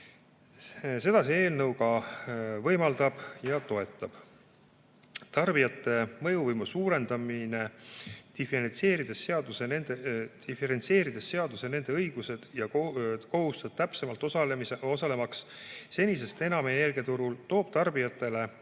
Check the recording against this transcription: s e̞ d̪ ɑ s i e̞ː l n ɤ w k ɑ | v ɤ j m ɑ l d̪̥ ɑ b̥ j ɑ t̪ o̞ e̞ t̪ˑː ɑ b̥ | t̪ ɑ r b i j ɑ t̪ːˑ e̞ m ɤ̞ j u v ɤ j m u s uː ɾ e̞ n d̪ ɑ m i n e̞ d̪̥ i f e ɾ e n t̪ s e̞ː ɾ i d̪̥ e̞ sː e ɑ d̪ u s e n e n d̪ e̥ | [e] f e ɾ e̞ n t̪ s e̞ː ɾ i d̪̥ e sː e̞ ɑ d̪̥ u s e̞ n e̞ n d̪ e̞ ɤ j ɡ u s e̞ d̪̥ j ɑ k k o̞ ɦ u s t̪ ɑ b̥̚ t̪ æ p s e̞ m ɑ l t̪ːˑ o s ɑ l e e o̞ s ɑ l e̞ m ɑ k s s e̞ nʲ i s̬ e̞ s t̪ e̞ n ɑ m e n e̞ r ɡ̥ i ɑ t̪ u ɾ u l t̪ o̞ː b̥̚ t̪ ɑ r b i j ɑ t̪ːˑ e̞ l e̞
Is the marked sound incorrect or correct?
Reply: incorrect